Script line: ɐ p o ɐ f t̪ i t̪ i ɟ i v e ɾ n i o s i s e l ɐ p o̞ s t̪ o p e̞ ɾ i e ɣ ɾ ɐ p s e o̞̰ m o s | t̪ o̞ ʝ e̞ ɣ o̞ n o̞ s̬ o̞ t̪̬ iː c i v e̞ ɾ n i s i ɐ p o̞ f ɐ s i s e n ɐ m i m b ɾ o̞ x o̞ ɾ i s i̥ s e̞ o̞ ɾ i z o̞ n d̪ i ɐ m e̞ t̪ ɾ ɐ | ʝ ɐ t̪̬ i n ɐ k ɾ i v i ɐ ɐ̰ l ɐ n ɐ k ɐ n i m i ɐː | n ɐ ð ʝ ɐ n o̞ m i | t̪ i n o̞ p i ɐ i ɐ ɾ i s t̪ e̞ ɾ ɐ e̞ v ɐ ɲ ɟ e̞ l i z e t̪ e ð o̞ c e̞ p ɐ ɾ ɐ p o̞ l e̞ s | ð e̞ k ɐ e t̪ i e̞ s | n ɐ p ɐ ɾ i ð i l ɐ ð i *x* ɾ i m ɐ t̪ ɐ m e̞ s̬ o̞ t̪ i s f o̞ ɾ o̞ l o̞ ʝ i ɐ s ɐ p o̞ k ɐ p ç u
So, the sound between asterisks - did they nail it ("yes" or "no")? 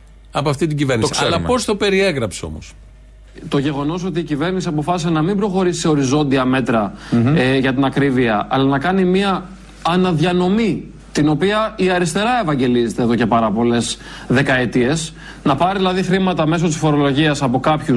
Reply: yes